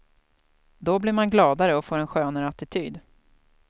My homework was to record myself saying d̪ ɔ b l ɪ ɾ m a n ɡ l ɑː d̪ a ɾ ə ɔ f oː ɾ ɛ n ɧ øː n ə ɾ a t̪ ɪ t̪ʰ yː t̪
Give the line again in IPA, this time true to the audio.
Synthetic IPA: d̪ ɔ b l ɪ ɾ m a n ɡ l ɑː d̪ a ɾ ə ɔ f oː ɾ ɛ n ɧ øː n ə ɾ a t̪ ɪ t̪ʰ yː d̪